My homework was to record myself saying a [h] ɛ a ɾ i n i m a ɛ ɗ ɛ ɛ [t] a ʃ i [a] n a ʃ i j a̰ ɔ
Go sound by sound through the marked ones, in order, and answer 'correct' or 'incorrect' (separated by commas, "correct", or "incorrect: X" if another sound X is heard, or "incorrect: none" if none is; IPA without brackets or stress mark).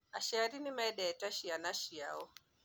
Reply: incorrect: ʃ, correct, correct